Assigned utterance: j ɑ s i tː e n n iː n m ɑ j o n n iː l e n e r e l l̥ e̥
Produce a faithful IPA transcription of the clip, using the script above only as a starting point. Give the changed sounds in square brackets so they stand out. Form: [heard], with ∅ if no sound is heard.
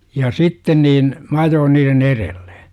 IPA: j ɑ s i tː e n n iː n m ɑ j [oː] n n iː [r] e n e r e l l̥ e̥